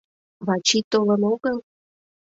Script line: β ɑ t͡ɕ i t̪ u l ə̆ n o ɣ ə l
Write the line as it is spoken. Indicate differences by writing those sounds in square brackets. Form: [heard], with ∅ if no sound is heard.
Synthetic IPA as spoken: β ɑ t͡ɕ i t̪ [o] l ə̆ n o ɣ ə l